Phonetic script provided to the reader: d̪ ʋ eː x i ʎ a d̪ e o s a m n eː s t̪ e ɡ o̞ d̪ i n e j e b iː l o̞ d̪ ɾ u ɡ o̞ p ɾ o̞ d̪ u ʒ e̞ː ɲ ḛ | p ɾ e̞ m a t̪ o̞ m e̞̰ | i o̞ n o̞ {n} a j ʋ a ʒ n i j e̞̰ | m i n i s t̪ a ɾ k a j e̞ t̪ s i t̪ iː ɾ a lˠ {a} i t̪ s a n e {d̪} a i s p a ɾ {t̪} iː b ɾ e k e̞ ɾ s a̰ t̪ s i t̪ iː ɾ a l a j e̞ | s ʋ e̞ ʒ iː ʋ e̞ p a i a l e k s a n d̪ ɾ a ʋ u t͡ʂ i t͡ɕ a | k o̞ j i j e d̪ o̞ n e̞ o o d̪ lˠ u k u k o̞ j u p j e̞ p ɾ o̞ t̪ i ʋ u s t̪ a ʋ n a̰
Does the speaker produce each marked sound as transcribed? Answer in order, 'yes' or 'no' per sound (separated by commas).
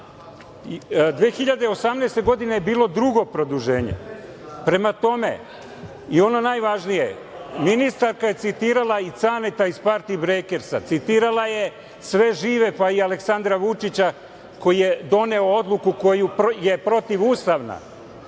yes, yes, no, yes